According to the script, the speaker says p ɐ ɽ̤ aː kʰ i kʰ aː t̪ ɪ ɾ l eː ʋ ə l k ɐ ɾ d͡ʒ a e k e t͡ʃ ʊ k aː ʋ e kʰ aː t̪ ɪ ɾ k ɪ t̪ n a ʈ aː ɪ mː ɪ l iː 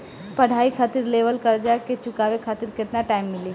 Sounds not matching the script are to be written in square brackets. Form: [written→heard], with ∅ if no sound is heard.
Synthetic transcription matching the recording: p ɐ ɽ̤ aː [kʰ→∅] i kʰ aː t̪ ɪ ɾ l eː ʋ ə l k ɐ ɾ d͡ʒ a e k e t͡ʃ ʊ k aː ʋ e kʰ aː t̪ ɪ ɾ k ɪ t̪ n a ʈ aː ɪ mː ɪ l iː